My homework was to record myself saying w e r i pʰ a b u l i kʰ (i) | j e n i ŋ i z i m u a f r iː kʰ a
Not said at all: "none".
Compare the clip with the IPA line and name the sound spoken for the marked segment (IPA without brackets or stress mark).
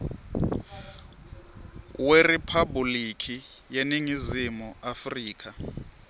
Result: i